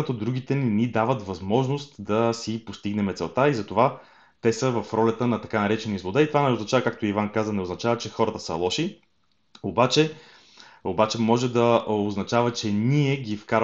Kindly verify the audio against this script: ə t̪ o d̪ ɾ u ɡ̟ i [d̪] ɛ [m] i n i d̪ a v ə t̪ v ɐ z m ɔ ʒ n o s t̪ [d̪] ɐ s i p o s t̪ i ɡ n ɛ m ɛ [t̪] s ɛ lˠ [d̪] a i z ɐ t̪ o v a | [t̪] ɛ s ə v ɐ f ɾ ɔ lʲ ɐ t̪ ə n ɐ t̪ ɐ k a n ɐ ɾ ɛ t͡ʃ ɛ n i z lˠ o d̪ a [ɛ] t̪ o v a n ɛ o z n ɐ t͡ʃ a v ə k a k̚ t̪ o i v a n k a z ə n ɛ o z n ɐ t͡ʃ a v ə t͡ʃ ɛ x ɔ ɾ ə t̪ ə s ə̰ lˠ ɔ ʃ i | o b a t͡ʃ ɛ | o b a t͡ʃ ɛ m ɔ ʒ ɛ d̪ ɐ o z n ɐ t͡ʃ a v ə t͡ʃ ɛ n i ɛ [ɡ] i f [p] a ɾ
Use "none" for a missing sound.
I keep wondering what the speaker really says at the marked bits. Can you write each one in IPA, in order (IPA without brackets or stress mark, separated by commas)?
t̪, n, d̪, t̪, t̪, t̪, i, ɡ, k